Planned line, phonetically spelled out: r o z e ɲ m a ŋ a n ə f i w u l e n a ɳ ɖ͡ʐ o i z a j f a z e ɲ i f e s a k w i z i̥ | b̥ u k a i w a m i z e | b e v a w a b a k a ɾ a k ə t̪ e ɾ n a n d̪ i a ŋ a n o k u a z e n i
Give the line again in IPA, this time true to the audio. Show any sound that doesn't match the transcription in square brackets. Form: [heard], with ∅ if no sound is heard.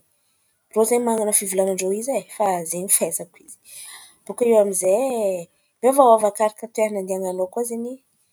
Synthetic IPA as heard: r o z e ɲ m a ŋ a n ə f i [v] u l [a] n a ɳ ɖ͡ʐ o i z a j f a z e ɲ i f e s a k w i z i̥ | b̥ u k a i w a m i z e | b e v a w a [v] a k a ɾ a k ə t̪ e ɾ n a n d̪ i a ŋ a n o k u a z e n i